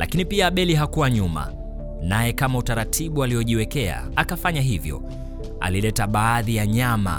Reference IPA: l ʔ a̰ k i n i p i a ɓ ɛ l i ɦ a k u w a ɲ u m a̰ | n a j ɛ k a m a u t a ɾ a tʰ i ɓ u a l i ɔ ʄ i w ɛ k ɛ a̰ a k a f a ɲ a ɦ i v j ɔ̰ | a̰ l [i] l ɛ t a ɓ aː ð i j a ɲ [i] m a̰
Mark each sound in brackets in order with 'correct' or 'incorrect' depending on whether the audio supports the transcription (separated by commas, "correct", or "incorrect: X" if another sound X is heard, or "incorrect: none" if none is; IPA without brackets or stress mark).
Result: correct, incorrect: a